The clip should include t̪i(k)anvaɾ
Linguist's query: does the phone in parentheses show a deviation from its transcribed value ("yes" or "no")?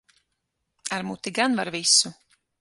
yes